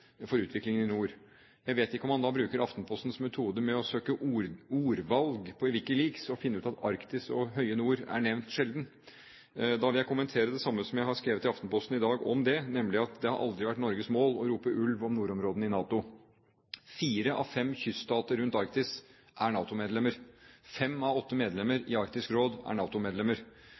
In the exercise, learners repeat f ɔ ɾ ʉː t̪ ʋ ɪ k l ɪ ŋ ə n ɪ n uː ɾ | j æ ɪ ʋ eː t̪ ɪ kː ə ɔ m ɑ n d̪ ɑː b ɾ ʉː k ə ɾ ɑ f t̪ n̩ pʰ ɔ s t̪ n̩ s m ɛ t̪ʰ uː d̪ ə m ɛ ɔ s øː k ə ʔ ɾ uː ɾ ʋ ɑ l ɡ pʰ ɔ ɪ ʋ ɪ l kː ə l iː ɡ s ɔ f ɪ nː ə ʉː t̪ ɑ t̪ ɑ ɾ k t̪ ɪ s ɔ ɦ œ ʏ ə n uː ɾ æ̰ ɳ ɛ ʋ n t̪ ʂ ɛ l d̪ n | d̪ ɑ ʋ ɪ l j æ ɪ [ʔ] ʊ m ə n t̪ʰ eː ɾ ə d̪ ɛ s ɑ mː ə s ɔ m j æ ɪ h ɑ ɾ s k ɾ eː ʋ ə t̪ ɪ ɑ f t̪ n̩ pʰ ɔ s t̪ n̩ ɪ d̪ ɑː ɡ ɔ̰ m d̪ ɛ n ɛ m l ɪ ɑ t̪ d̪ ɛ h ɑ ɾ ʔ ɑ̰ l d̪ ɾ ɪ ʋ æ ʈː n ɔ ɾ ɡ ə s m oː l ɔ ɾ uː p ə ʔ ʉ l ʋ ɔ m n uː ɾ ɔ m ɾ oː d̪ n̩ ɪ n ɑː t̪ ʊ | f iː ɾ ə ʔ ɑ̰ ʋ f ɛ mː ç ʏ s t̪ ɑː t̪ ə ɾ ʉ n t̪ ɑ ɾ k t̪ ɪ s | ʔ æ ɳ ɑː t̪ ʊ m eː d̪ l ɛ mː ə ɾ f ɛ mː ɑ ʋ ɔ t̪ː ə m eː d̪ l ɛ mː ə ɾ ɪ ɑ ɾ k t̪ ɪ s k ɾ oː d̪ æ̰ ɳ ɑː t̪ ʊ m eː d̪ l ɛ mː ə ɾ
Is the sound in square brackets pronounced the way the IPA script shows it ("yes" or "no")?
no